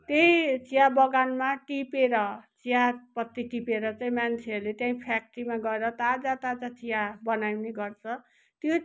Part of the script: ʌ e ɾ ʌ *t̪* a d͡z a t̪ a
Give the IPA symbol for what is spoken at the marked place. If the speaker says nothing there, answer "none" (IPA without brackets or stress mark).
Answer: t̪